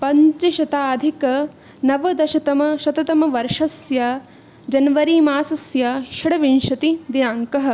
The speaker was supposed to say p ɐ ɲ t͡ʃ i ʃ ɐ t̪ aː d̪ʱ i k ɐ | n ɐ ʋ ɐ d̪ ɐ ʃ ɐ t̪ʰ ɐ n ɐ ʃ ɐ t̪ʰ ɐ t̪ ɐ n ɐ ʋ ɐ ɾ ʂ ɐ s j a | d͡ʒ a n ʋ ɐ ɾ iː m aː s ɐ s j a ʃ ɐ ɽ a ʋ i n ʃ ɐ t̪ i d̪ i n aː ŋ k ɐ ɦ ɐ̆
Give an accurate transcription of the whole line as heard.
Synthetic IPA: p ɐ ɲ t͡ʃ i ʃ ɐ t̪ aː d̪ʱ i k ɐ | n ɐ ʋ ɐ d̪ ɐ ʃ ɐ t̪ ɐ m ɐ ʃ ɐ t̪ ɐ t̪ ɐ m ɐ ʋ ɐ ɾ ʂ ɐ s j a | d͡ʒ ɐ n ʋ ɐ ɾ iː m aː s ɐ s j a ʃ ɐ ɽ ɐ ʋ i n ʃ ɐ t̪ i d̪ i n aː ŋ k ɐ ɦ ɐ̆